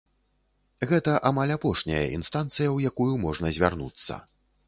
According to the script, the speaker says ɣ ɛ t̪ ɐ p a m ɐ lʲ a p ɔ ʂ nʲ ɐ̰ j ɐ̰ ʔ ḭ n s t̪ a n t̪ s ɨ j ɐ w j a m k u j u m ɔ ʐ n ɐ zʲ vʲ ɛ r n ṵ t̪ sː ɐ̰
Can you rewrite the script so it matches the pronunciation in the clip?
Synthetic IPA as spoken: ɣ ɛ t̪ ɐ ʔ a m a lʲ a p ɔ ʂ nʲ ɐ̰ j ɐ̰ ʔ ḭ n s t̪ a n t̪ s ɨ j ɐ w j a k u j u m ɔ ʐ n ɐ zʲ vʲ a r n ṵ t̪ sː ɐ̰

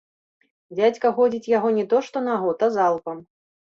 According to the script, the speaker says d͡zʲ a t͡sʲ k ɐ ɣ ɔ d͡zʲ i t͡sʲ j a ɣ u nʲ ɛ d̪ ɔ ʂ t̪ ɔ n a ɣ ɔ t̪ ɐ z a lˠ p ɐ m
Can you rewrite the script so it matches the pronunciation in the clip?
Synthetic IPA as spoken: d͡zʲ a t͡sʲ k ɐ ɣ ɔ d͡zʲ i t͡sʲ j a ɣ ɔ nʲ ɛ t̪ ɔ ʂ t̪ ɔ n a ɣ ɔ t̪ ɐ z a lˠ p ɐ m

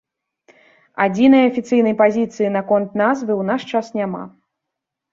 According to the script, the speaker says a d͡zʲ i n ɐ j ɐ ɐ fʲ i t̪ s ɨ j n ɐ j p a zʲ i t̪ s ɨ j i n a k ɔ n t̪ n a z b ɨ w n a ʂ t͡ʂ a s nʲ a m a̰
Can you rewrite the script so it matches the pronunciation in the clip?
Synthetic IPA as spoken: a d͡zʲ i n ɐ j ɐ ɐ fʲ i t̪ s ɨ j n ɐ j p a zʲ i t̪ s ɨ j i n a k ɔ n t̪ n a z v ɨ w n a ʂ t͡ʂ a s nʲ a m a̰

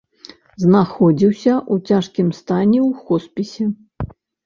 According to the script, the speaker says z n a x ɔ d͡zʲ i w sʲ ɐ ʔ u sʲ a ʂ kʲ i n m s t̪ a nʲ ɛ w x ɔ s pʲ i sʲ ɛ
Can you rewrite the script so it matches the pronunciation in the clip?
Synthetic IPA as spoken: z n a x ɔ d͡zʲ i w sʲ ɐ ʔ u t͡sʲ a ʂ kʲ i m s t̪ a nʲ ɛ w x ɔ s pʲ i sʲ ɛ

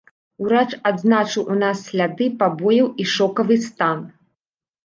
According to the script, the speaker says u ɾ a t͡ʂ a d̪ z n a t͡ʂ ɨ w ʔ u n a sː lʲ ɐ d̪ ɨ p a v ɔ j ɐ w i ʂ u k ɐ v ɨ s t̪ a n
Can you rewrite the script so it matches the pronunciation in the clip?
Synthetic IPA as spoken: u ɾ a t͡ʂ a d̪ z n a t͡ʂ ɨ w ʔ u n a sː lʲ a d̪ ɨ p a b ɔ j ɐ w i ʂ ɔ k ɐ v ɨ s t̪ a n

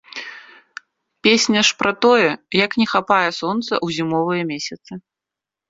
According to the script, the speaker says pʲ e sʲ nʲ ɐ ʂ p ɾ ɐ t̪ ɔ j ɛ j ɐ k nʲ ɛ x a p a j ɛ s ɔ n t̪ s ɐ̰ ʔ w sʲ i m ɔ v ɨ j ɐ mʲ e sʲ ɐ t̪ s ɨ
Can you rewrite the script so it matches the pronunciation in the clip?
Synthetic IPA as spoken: pʲ e sʲ nʲ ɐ ʂ p ɾ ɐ t̪ ɔ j ɛ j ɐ k nʲ ɛ x a p a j ɛ s ɔ n t̪ s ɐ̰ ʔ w zʲ i m ɔ v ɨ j ɐ mʲ e sʲ ɐ t̪ s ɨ

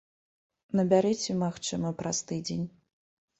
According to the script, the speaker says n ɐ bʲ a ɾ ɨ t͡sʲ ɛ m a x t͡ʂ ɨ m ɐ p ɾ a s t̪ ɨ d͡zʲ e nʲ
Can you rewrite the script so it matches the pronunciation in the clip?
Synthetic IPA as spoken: n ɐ bʲ a ɾ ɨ t͡sʲ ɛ m a x t͡ʂ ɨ m ɐ p ɾ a s t̪ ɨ d͡zʲ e nʲ

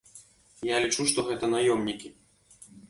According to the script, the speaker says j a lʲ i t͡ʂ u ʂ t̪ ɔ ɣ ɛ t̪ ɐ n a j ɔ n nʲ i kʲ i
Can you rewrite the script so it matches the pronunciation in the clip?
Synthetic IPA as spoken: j a lʲ i t͡ʂ u ʂ t̪ ɔ ɣ ɛ t̪ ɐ n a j ɔ m nʲ i kʲ i

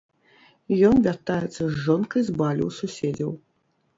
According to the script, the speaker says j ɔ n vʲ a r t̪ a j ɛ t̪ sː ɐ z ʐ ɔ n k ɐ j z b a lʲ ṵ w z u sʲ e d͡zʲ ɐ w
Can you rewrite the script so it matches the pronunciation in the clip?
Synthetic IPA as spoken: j ɔ n vʲ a r t̪ a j ɛ t̪ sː ɐ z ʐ ɔ n k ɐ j z b a lʲ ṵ w s u sʲ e d͡zʲ ɐ w

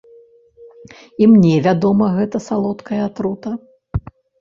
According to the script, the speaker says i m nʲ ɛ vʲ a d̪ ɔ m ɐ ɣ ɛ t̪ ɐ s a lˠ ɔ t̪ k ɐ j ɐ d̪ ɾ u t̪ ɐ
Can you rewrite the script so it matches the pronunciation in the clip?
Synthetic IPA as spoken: i m nʲ ɛ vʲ a d̪ ɔ m ɐ ɣ ɛ t̪ ɐ s a lˠ ɔ t̪ k ɐ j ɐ t̪ ɾ u t̪ ɐ

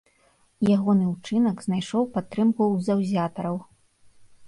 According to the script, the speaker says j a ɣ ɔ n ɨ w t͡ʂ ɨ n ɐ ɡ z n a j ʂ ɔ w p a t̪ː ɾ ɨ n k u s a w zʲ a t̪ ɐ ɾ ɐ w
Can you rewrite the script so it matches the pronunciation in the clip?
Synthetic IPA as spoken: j a ɣ ɔ n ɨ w t͡ʂ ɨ n ɐ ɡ z n a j ʂ ɔ w p a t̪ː ɾ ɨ m k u z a w zʲ a t̪ ɐ ɾ ɐ w

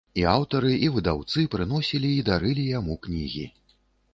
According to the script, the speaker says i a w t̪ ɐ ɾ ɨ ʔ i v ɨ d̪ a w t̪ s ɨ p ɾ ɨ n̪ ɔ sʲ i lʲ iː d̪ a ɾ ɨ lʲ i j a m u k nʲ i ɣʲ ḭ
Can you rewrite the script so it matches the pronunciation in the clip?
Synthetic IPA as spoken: i a w t̪ ɐ ɾ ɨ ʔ i v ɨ d̪ a w t̪ s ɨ p ɾ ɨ n̪ ɔ sʲ i lʲ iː d̪ a ɾ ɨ lʲ i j a m u k nʲ i ɣʲ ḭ

